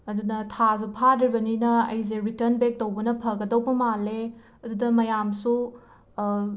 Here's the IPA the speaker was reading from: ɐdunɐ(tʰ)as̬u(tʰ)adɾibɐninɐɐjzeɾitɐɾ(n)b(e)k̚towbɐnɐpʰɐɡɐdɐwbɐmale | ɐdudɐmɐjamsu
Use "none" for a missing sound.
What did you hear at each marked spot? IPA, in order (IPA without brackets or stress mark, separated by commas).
tʰ, pʰ, n, e